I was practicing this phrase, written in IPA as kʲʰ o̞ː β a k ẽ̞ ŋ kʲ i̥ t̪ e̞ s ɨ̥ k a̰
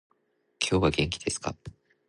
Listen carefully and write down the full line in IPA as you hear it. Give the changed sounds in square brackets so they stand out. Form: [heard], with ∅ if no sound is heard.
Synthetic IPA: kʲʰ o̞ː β a [ɡ] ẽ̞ ŋ kʲ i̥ [d̪] e̞ s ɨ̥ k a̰